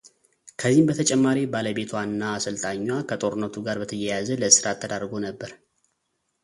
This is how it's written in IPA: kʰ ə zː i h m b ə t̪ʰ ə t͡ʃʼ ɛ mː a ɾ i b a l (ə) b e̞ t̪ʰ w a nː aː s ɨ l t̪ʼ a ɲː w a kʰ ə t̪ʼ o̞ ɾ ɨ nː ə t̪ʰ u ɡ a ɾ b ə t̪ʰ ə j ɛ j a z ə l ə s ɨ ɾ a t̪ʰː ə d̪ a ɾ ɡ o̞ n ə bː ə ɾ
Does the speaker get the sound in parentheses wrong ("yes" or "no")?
no